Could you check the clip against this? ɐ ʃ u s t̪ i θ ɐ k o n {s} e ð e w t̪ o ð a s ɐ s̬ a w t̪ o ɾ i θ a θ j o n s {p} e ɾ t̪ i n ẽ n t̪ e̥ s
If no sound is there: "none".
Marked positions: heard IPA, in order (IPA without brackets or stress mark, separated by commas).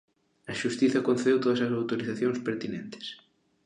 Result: θ, p